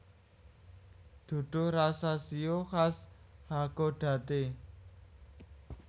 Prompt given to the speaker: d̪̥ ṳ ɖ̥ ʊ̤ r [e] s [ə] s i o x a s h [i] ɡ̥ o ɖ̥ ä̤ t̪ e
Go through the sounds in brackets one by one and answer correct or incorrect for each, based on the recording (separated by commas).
incorrect, incorrect, incorrect